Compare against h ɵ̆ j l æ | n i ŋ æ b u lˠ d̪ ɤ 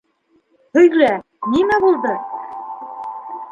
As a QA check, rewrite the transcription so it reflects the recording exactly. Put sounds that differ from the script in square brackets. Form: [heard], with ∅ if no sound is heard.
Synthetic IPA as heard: h ɵ̆ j l æ | n i [m] æ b u lˠ d̪ ɤ